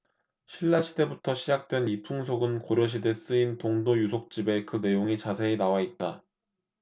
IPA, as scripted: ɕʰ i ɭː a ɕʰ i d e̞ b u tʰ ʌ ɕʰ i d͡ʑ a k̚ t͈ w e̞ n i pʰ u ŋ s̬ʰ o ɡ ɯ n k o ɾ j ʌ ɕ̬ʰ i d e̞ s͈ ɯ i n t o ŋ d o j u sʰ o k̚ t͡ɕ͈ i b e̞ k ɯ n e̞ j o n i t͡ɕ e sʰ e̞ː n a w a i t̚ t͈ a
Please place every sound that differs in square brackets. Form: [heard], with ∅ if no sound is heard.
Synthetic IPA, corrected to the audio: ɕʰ i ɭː a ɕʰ i d e̞ b u tʰ ʌ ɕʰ i d͡ʑ a k̚ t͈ w e̞ n i pʰ u ŋ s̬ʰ o ɡ ɯ n k o ɾ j ʌ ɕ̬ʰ i d e̞ s͈ ɯ i n t o ŋ d o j u sʰ o k̚ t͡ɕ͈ i b e̞ k ɯ n e̞ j o [ŋ] i t͡ɕ [a] sʰ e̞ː n a w a i t̚ t͈ a